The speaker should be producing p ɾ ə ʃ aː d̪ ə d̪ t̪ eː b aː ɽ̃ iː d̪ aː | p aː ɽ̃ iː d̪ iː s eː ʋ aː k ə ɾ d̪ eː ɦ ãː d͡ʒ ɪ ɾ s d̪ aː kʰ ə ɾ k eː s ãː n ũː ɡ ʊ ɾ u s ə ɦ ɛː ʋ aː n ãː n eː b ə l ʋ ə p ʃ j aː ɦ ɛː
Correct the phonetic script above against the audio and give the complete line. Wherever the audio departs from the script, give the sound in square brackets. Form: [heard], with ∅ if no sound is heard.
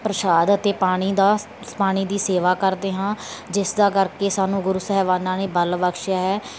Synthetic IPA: p ɾ ə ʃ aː d̪ ə [∅] t̪ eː [p] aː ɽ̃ iː d̪ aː | p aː ɽ̃ iː d̪ iː s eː ʋ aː k ə ɾ d̪ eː ɦ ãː d͡ʒ ɪ [∅] s d̪ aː [k] ə ɾ k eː s [aː] n ũː ɡ ʊ ɾ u s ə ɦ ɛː ʋ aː n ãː n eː b ə l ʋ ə [k] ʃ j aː ɦ ɛː